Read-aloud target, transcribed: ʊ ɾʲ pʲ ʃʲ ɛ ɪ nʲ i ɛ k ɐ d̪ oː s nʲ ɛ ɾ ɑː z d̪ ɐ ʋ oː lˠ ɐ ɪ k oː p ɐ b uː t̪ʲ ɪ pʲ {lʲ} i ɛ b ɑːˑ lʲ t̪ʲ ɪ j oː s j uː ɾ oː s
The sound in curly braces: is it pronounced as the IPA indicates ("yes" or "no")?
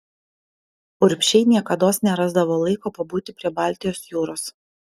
no